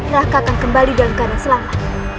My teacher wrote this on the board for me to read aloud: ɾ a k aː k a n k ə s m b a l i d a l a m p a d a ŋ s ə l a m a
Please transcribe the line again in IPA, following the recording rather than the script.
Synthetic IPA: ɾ a k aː k a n k ə m b a l i d a l a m k a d a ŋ s ə l a m a